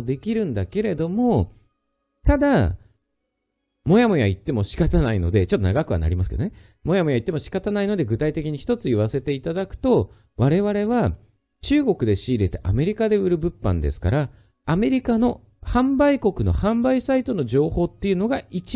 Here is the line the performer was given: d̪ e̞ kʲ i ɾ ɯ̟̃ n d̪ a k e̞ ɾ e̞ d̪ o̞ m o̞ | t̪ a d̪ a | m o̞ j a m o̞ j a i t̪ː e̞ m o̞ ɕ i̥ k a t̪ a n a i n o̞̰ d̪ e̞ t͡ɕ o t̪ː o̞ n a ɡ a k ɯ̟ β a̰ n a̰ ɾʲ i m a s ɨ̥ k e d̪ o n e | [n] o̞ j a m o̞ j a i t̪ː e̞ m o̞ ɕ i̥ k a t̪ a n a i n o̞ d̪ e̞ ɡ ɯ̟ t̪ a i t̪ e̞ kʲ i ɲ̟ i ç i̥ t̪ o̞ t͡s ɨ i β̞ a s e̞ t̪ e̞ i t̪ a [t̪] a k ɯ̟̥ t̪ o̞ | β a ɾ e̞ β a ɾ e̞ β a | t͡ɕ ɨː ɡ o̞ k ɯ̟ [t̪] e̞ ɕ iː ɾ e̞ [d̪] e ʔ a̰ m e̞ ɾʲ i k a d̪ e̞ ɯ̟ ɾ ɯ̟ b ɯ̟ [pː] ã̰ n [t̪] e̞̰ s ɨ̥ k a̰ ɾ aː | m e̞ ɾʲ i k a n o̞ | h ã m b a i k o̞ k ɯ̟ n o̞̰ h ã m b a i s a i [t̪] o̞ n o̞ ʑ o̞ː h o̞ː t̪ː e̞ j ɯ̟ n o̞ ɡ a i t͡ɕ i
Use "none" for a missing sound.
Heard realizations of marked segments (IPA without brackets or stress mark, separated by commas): m, d̪, d̪, t̪, pː, d̪, t̪